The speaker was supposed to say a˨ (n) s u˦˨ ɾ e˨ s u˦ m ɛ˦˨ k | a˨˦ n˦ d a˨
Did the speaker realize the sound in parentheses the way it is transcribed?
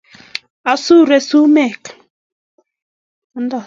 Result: no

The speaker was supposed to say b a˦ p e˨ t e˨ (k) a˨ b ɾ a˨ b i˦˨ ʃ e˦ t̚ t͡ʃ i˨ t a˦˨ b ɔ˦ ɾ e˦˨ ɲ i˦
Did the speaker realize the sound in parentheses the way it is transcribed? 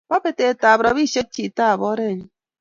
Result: no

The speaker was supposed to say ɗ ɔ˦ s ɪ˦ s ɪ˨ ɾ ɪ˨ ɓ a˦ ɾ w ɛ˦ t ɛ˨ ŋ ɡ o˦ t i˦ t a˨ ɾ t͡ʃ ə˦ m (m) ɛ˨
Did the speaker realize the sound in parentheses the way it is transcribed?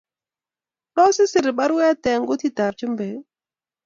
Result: no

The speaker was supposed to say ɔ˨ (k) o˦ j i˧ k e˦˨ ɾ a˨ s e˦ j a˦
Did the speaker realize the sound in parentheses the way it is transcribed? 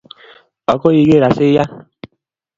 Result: yes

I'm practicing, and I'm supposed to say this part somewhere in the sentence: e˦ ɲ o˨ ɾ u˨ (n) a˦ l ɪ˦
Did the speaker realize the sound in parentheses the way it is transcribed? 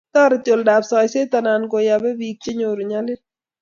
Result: no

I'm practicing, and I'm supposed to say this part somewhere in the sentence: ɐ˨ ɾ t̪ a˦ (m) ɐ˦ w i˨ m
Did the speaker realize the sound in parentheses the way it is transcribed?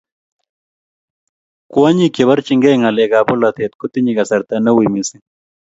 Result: no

